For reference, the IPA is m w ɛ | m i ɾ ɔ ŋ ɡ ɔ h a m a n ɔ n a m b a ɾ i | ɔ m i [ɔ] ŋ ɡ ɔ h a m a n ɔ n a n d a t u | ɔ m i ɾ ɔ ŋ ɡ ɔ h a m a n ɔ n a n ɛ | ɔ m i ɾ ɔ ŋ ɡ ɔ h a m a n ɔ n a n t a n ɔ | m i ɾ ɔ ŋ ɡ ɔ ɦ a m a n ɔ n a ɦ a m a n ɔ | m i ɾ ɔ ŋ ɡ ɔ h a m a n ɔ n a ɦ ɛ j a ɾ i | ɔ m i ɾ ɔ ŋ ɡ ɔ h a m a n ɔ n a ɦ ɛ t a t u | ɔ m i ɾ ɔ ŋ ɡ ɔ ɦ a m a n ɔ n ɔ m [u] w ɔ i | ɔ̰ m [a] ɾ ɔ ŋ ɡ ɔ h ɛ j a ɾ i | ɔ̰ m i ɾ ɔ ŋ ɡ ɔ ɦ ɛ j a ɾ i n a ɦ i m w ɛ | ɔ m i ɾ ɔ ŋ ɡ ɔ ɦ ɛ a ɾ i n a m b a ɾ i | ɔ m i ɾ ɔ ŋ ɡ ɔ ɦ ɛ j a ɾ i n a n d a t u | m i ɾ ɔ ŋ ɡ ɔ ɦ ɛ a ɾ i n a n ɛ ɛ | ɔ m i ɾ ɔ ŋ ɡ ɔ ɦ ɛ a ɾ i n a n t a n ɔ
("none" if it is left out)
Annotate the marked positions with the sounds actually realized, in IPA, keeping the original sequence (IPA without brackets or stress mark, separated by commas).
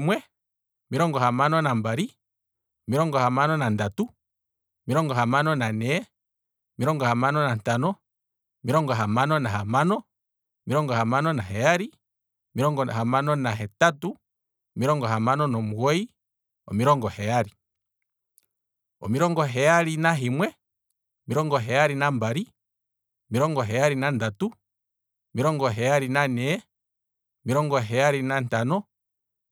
ɔ, u, i